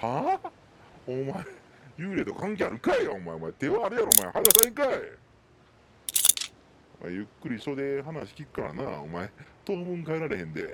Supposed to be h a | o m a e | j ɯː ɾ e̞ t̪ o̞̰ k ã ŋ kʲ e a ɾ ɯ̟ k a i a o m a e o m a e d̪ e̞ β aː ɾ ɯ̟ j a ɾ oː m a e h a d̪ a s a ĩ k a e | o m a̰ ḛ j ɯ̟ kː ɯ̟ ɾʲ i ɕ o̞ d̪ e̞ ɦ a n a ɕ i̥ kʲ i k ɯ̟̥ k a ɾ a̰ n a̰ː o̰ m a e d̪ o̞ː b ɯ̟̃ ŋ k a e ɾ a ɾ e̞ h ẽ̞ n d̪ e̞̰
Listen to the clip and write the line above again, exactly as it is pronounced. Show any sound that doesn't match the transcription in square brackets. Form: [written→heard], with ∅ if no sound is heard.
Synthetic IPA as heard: h a | o m a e | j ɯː ɾ e̞ t̪ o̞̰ k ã ŋ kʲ e a ɾ ɯ̟ k a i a o m a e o m a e [d̪→t̪] e̞ β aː ɾ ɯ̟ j a ɾ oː m a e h a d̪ a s a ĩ k a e | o m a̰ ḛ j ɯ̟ kː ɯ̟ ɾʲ i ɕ o̞ d̪ e̞ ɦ a n a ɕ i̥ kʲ i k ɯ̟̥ k a ɾ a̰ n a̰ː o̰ m a e [d̪→t̪] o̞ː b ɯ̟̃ ŋ k a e ɾ a ɾ e̞ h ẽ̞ n d̪ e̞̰